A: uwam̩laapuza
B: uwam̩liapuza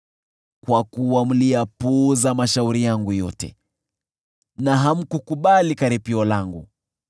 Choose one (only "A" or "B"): B